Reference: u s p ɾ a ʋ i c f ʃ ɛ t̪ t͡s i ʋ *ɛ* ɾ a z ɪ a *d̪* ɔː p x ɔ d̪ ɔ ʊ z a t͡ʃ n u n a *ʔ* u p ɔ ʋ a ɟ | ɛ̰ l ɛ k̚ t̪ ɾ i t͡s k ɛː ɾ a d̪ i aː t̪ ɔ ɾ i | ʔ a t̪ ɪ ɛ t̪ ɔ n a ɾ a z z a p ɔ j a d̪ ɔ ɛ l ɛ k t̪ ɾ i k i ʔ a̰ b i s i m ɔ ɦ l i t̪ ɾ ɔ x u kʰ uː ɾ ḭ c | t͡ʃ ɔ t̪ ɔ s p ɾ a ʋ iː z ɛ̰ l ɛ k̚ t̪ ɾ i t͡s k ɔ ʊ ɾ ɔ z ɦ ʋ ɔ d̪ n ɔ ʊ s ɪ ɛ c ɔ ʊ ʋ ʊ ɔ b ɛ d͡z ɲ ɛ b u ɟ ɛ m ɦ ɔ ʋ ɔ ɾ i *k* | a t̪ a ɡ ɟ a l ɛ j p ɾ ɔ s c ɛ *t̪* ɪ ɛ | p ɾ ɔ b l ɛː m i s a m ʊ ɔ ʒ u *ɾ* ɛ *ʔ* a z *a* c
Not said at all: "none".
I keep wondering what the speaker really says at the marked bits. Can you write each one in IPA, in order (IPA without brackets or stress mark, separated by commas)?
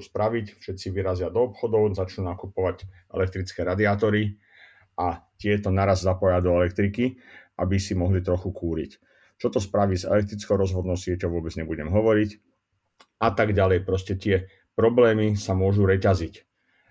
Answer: i, d̪, k, c, t̪, ɾ, c, i